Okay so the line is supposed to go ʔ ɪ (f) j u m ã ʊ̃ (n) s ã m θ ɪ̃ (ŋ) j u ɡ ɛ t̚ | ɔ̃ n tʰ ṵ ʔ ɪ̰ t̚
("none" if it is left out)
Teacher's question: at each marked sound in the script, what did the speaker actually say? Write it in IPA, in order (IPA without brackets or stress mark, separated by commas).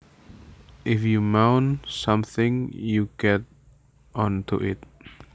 f, n, ŋ